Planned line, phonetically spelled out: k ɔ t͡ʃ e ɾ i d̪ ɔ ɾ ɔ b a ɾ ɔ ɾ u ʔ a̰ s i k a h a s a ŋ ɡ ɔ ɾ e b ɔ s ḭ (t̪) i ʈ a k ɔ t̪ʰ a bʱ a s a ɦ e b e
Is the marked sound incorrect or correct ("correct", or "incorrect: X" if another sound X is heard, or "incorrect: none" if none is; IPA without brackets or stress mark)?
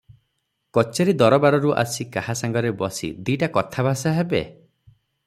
incorrect: d̪